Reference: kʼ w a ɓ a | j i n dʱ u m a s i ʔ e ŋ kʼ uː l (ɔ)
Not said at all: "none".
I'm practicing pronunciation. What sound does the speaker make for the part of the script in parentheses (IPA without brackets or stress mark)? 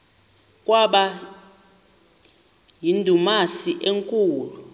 u